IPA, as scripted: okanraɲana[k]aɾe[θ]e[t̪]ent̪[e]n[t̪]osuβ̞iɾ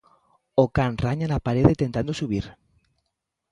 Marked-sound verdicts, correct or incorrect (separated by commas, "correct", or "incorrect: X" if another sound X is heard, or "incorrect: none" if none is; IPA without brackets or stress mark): incorrect: p, incorrect: ð, correct, incorrect: a, incorrect: d̪